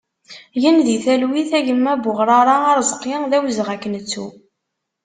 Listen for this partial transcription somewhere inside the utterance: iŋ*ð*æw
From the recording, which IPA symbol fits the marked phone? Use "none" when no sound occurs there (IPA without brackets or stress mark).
ð